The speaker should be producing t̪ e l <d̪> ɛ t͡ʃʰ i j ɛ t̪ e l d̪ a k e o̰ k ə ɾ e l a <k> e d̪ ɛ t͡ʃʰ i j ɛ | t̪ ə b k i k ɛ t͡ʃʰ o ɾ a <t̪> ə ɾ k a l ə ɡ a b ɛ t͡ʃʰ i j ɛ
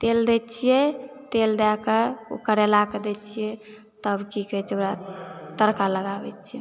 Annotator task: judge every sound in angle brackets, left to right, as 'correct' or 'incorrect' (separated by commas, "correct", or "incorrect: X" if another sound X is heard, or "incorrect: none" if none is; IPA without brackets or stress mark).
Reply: correct, correct, correct